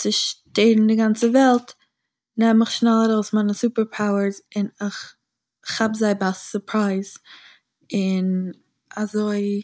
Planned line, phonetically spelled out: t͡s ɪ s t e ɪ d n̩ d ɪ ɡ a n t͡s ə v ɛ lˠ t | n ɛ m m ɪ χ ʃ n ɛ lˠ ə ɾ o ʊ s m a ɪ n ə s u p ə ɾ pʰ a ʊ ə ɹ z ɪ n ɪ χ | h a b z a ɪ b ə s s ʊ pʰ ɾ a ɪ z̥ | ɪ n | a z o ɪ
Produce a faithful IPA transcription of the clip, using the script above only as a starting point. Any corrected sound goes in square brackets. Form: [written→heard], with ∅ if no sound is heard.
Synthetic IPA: t͡s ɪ [s→ʃ] t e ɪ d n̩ d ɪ ɡ a n t͡s ə v ɛ lˠ t | n ɛ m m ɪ χ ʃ n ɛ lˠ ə ɾ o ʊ s m a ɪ n ə s u p ə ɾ pʰ a ʊ ə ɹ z ɪ n ɪ χ | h a b z a ɪ b [ə→a] s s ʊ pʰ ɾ a ɪ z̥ | ɪ n | a z o ɪ